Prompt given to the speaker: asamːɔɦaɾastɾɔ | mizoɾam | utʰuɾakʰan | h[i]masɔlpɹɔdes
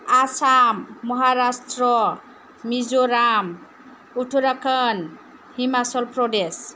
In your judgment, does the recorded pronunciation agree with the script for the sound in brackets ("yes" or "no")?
yes